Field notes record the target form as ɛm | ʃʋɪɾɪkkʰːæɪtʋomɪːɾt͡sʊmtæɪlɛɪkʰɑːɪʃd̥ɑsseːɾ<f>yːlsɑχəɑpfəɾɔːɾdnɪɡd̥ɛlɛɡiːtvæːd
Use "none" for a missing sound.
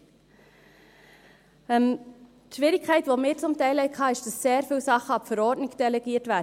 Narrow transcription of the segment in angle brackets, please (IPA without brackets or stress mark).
f